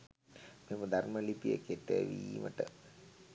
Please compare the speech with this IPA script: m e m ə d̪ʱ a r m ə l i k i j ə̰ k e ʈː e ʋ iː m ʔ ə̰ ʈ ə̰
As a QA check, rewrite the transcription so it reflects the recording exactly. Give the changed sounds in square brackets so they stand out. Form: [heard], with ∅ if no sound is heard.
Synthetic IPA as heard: m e m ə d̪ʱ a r m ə l i [p] i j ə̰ k e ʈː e ʋ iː m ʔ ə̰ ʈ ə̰